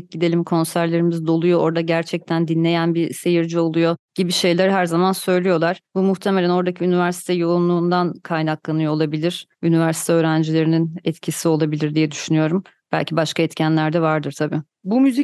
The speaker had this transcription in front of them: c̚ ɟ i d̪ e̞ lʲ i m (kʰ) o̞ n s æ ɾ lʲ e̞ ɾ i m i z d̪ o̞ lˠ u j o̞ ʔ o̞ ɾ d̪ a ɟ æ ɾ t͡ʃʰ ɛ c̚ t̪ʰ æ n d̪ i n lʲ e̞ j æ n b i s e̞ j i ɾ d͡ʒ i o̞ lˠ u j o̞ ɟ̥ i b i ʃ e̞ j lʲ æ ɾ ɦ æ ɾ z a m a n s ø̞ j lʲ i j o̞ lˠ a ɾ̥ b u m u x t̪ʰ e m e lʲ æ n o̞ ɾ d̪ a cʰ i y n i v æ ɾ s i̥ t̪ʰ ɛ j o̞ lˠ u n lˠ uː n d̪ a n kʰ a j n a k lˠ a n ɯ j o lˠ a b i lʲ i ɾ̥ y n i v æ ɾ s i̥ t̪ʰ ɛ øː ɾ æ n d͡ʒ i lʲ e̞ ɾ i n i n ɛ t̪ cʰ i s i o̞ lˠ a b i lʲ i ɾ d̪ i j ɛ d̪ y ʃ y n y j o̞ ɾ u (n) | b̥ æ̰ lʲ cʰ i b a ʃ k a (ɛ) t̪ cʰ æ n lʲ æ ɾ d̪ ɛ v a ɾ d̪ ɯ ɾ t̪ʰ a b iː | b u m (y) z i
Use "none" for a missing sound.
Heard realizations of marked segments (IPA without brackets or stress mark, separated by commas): kʰ, m, ɛ, y